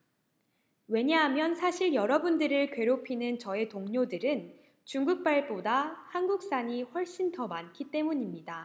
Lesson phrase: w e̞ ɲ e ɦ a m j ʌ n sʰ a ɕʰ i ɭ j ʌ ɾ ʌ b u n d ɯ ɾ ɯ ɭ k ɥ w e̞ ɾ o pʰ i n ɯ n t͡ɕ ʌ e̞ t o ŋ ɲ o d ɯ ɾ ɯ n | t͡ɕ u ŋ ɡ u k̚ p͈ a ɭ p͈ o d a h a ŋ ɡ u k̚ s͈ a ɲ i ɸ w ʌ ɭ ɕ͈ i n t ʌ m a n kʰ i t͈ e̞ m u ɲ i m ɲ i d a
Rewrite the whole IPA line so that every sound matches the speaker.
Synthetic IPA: w e̞ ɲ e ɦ a m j ʌ n sʰ a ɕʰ i ɭ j ʌ ɾ ʌ b u n d ɯ ɾ ɯ ɭ k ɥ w e̞ ɾ o pʰ i n ɯ n t͡ɕ ʌ e̞ t o ŋ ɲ o d ɯ ɾ ɯ n | t͡ɕ u ŋ ɡ u k̚ p͈ a ɭ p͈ o d a h a n ɡ u k̚ s͈ a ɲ i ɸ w ʌ ɭ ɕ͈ i n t ʌ m a n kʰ i t͈ e̞ m u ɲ i m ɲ i d a